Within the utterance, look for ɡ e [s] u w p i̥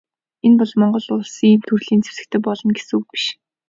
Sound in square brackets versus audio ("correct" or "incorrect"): correct